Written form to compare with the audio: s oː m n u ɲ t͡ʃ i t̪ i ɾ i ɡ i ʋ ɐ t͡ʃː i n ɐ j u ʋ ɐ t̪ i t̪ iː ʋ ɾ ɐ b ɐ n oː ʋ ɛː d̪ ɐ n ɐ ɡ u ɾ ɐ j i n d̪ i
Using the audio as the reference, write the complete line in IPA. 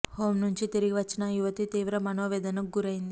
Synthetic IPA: h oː m n u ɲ t͡ʃ i t̪ i ɾ i ɡ i ʋ ɐ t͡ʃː i n ɐ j u ʋ ɐ t̪ i t̪ iː ʋ ɾ ɐ m ɐ n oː ʋ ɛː d̪ ɐ n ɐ ɡ u ɾ ɐ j i n d̪ i

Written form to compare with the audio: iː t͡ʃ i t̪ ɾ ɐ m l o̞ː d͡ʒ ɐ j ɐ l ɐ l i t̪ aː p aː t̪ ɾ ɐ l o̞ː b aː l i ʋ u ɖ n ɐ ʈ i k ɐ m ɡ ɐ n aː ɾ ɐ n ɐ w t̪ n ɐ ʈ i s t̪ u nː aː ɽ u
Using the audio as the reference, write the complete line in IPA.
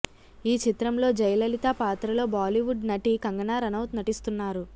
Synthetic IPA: iː t͡ʃ i t̪ ɾ ɐ m l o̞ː d͡ʒ ɐ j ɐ l ɐ l i t̪ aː p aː t̪ ɾ ɐ l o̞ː b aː l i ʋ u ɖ n ɐ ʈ i k ɐ ŋ ɡ ɐ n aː ɾ ɐ n ɐ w t̪ n ɐ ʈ i s t̪ u nː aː ɾ u

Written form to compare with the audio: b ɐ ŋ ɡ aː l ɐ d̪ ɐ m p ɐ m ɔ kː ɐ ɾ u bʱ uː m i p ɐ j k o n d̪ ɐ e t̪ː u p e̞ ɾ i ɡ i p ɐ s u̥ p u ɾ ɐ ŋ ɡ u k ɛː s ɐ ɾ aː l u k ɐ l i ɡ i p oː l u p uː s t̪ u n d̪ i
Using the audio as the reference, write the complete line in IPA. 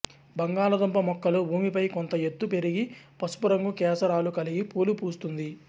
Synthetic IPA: b ɐ ŋ ɡ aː l ɐ d̪ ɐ m p ɐ m ɔ kː ɐ l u bʱ uː m i p ɐ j k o n t̪ ɐ e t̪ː u p e̞ ɾ i ɡ i p ɐ s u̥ p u ɾ ɐ ŋ ɡ u k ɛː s ɐ ɾ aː l u k ɐ l i ɡ i p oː l u p uː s t̪ u n d̪ i

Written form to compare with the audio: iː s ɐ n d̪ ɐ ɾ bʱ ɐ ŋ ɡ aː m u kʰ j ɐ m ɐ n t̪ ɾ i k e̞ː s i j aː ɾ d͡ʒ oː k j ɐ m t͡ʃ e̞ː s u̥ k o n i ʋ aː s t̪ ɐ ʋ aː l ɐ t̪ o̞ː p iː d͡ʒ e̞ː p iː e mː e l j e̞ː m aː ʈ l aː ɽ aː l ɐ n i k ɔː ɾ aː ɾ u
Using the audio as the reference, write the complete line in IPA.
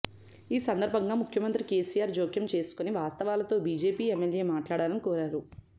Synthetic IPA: iː s ɐ n d̪ ɐ ɾ bʱ ɐ ŋ ɡ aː m u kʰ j ɐ m ɐ n t̪ ɾ i k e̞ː s i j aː ɾ d͡ʒ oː k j ɐ m t͡ʃ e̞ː s u̥ k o n i ʋ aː s t̪ ɐ ʋ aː l ɐ t̪ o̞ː b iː d͡ʒ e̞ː p iː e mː e l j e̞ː m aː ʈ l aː ɽ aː l ɐ n i k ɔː ɾ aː ɾ u

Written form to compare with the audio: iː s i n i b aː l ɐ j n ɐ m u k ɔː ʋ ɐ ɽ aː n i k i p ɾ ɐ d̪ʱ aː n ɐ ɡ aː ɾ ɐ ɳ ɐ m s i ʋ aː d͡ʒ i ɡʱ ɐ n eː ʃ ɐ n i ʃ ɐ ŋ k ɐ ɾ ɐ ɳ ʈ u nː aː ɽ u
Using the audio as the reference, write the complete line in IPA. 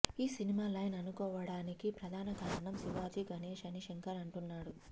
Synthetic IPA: iː s i n i m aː l ɐ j n ɐ n u k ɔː ʋ ɐ ɽ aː n i k i p ɾ ɐ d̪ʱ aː n ɐ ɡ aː ɾ ɐ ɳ ɐ m s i ʋ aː d͡ʒ i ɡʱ ɐ n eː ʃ ɐ n i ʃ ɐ ŋ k ɐ ɾ ɐ ɳ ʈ u nː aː ɽ u

